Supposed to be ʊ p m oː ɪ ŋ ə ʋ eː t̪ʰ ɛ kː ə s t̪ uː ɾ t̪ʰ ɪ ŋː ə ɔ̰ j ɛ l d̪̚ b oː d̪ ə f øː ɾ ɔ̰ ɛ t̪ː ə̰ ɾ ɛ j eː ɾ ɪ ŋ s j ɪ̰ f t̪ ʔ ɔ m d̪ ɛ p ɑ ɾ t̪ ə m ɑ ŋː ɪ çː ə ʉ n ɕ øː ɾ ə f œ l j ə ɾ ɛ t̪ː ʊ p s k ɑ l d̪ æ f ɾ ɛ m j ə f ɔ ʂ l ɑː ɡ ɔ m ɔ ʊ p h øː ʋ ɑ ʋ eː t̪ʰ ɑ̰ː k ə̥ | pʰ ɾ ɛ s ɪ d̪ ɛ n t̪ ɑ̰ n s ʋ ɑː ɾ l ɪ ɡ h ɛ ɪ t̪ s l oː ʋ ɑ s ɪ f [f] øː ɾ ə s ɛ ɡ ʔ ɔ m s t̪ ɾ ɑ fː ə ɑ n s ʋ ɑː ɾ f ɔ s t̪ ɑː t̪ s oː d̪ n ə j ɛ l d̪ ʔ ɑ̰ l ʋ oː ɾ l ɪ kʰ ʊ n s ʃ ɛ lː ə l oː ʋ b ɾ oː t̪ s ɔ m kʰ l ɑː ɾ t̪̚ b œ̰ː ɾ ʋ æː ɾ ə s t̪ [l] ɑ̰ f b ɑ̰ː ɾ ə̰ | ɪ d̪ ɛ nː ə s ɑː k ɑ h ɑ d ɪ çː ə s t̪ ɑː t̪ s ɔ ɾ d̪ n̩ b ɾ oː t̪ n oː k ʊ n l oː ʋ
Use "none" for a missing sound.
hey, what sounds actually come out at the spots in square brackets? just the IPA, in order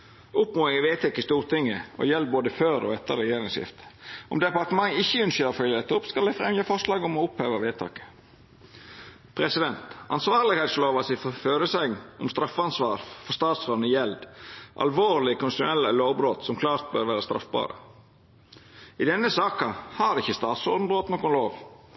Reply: f, ɾ

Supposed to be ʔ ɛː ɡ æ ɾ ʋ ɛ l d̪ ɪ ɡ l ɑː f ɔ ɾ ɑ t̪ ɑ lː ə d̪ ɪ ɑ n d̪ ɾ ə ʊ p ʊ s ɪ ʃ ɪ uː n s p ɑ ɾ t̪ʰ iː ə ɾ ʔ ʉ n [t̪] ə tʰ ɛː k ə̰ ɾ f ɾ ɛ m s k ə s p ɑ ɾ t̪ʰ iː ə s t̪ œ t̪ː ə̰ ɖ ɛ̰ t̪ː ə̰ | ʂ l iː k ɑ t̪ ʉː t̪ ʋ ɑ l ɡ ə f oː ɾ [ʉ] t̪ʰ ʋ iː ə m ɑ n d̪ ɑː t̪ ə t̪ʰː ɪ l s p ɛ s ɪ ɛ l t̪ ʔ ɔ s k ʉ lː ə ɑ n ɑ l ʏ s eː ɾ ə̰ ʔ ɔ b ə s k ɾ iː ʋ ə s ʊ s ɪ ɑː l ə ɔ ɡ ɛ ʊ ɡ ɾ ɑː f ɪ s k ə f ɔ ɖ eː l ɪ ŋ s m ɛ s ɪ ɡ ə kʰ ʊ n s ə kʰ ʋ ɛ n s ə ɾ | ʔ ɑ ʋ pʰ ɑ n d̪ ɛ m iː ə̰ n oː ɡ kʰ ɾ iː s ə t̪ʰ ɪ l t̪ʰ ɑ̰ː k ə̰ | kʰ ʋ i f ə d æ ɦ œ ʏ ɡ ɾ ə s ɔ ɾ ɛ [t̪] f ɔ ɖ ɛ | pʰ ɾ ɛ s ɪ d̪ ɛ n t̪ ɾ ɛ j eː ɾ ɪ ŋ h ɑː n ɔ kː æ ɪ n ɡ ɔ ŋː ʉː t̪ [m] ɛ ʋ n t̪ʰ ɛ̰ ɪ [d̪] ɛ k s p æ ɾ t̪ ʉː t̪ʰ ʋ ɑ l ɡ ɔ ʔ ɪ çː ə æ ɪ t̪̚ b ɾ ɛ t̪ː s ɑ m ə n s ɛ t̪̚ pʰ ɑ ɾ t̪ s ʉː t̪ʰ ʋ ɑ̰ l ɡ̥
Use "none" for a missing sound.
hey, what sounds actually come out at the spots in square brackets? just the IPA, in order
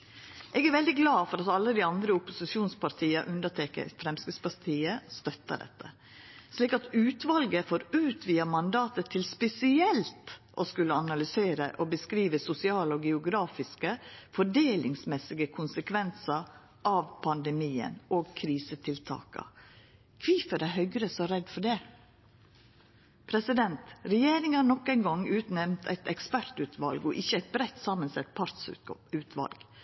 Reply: d̪, ʉː, d̪, n, t̪

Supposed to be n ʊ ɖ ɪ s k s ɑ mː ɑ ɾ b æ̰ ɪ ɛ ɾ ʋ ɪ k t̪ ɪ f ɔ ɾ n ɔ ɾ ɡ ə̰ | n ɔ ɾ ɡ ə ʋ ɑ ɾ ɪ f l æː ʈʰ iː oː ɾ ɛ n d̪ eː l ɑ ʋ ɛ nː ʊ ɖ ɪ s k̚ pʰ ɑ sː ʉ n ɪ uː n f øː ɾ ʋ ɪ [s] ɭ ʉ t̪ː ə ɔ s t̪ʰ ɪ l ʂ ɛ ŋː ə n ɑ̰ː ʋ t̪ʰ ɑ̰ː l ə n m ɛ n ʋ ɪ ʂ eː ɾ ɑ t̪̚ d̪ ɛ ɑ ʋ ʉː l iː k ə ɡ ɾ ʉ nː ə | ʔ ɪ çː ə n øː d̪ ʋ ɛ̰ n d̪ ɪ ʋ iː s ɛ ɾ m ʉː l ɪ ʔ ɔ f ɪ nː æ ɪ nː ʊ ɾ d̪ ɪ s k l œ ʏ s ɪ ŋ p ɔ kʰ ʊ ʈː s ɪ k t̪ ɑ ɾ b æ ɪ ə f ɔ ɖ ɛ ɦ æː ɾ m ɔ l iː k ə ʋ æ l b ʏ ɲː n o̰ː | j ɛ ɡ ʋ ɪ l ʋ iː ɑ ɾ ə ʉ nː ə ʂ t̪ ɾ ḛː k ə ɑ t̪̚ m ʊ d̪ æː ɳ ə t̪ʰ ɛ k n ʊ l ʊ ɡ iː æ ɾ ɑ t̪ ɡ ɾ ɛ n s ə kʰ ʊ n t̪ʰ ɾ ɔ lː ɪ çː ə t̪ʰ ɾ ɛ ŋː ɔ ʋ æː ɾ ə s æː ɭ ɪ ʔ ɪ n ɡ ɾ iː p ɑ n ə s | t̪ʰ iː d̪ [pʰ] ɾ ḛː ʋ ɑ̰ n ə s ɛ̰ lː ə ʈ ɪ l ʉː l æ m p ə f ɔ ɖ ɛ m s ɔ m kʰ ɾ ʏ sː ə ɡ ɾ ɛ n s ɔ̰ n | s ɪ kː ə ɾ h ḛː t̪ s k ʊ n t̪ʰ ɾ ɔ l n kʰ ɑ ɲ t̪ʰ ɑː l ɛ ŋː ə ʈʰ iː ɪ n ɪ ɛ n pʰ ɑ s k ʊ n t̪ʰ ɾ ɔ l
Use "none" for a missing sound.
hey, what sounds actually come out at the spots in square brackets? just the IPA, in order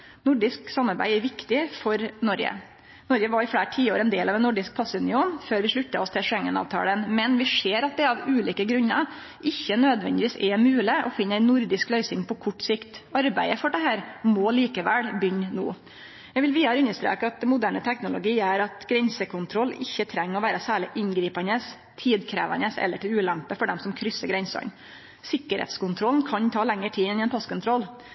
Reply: ʂ, kʰ

